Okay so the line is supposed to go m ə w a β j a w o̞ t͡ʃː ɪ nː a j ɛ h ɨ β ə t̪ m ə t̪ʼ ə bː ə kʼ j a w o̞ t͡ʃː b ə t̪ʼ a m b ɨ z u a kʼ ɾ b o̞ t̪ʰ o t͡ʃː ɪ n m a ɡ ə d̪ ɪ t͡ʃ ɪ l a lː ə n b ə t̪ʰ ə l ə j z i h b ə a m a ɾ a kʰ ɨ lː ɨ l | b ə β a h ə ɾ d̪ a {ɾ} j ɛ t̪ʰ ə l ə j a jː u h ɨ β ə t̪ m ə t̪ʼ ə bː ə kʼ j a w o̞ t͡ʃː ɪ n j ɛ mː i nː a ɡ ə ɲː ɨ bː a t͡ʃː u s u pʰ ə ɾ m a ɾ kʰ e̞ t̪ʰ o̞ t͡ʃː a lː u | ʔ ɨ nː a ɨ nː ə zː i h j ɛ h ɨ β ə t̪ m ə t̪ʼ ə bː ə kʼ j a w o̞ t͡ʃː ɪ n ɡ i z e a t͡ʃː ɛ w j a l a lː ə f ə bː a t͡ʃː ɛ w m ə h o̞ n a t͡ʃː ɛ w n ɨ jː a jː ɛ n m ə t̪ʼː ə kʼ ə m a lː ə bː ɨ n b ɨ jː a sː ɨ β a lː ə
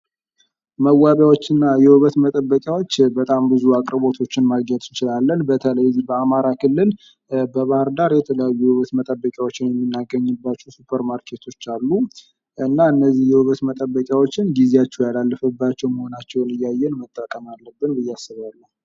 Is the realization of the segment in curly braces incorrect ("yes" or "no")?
no